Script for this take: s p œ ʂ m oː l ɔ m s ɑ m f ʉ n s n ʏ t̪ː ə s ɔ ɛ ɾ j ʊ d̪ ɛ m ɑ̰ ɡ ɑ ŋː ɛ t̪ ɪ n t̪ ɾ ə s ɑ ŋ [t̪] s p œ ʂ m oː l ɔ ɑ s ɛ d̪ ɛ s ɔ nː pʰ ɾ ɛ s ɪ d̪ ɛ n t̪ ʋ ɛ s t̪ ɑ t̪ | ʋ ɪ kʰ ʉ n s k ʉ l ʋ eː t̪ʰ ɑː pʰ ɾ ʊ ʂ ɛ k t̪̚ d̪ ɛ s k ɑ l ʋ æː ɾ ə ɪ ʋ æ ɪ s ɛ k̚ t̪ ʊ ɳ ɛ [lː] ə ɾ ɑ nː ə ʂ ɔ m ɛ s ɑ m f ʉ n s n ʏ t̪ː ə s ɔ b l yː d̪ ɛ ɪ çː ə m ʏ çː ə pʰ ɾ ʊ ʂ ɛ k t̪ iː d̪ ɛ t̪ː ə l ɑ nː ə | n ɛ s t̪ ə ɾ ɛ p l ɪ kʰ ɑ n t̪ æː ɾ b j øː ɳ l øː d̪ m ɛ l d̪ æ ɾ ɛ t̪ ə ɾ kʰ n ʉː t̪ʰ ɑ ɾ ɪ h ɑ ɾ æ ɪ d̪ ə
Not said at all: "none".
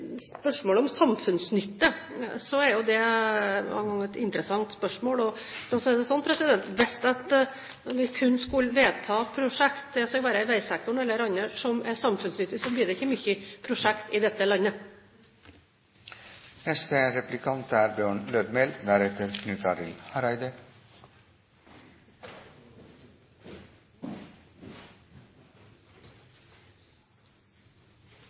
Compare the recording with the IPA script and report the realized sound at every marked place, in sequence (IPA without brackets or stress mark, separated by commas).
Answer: t̪, lː